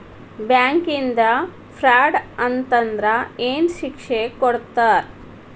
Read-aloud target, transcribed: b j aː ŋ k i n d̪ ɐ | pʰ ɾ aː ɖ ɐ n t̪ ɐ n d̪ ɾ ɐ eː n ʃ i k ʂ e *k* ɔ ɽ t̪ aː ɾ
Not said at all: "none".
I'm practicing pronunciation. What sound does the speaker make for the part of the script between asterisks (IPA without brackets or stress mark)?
k